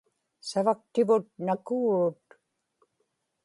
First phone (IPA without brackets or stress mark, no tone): s